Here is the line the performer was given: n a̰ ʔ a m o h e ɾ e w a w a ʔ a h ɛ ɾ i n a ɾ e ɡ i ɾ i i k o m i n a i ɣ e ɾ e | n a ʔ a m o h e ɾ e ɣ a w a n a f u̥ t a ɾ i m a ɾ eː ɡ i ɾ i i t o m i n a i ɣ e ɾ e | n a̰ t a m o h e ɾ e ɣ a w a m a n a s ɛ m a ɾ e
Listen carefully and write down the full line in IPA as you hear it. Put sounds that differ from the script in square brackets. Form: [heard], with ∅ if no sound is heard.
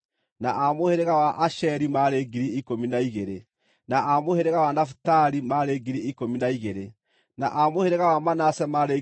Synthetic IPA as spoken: n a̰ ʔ a m o h e ɾ e [ɣ] a w a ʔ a [ʃ] ɛ ɾ i [m] a ɾ e ɡ i ɾ i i k o m i n a i ɣ e ɾ e | n a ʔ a m o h e ɾ e ɣ a w a n a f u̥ t a ɾ i m a ɾ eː ɡ i ɾ i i [k] o m i n a i ɣ e ɾ e | n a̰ [ʔ] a m o h e ɾ e ɣ a w a m a n a s ɛ m a ɾ e